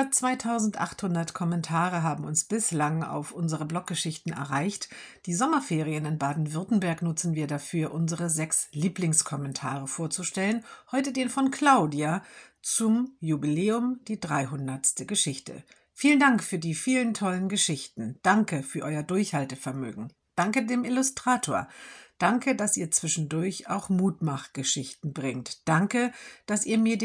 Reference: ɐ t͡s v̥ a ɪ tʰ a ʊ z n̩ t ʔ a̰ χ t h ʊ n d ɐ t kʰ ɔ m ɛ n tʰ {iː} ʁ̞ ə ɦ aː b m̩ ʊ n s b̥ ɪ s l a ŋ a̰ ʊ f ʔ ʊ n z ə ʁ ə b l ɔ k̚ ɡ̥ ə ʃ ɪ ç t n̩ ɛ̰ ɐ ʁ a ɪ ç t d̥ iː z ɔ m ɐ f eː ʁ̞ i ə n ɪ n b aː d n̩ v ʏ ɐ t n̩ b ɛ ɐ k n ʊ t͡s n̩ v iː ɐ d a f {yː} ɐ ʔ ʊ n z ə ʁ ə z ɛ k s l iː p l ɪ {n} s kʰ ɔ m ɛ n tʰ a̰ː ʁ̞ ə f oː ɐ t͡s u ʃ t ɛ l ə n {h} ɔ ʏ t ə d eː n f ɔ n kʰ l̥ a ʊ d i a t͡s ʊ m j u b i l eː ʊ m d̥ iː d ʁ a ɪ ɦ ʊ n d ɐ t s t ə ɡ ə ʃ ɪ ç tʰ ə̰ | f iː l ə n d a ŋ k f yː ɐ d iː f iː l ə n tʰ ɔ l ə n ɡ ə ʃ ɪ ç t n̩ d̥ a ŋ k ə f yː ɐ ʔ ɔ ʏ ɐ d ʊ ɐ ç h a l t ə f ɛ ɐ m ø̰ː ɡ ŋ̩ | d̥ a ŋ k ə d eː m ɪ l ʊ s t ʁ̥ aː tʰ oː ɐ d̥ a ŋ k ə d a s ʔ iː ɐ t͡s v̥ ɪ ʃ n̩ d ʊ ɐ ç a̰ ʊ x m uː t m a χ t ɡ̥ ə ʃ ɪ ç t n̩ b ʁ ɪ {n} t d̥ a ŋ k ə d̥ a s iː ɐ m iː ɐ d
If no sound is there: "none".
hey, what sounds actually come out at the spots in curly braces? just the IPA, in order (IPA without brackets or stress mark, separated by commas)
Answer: aː, yː, ŋ, h, ŋ